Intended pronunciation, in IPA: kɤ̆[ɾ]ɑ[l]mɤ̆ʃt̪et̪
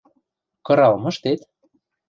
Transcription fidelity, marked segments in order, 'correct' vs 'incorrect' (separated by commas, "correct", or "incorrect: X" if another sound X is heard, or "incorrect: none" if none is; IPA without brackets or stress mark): correct, correct